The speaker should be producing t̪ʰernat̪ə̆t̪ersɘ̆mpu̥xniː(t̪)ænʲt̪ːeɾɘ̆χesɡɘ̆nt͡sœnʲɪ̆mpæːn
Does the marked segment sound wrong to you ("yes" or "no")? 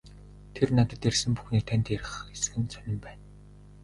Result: yes